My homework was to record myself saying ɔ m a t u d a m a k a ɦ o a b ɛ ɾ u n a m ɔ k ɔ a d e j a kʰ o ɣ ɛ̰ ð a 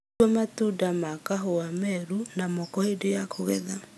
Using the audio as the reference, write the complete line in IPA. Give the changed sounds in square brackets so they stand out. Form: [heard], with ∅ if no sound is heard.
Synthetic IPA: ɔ m a t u d a m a k a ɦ o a [m] ɛ ɾ u n a m ɔ k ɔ [e] d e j a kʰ o ɣ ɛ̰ ð a